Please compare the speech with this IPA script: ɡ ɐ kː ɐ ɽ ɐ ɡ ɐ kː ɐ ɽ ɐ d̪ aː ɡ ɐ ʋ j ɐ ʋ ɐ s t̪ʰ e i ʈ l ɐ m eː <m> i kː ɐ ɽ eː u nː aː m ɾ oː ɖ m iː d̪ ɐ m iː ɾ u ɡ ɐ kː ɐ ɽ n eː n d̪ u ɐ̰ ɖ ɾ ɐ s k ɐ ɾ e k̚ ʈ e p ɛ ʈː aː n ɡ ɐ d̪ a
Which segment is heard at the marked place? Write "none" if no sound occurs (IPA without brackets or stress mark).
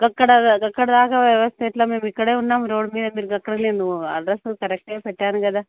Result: m